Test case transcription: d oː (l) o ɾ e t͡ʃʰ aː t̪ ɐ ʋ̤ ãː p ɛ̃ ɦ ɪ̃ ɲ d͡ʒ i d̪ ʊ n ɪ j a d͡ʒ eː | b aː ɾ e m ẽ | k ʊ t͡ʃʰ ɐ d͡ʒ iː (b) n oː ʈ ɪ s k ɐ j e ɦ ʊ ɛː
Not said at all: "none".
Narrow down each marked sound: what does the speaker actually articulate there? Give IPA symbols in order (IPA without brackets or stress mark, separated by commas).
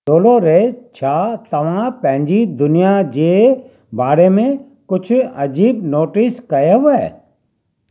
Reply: l, b